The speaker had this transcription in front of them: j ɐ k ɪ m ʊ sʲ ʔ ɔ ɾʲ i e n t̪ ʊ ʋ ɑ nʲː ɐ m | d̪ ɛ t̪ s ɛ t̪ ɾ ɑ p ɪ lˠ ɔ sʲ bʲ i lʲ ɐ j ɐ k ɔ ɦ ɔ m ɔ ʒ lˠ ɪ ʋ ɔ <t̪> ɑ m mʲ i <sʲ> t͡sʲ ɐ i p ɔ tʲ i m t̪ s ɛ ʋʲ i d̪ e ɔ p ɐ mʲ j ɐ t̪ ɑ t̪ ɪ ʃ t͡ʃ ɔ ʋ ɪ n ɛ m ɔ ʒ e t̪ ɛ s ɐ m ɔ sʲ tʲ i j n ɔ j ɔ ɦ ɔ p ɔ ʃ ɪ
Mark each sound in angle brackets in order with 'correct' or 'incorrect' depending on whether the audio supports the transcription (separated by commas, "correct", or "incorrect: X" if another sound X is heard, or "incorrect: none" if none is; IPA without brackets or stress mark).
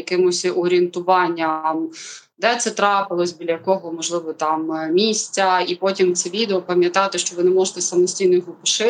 correct, correct